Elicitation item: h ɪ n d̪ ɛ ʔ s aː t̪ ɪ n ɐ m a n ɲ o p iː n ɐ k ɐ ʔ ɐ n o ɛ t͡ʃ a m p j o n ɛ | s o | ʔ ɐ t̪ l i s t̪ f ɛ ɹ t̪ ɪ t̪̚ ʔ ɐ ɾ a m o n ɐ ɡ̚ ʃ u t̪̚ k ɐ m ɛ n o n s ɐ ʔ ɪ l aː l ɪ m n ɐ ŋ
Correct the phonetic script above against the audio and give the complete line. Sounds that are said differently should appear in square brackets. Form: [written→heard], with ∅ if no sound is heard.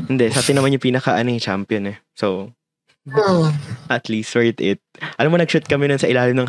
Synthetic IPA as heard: h ɪ n d̪ ɛ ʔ s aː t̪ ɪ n ɐ m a n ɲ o p iː n ɐ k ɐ ʔ ɐ n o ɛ t͡ʃ a m p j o n ɛ | s o | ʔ ɐ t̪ l i s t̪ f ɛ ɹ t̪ ɪ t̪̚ ʔ ɐ [ɾ→l] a m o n ɐ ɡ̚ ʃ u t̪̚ k ɐ m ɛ n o n s ɐ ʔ ɪ l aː l ɪ m n ɐ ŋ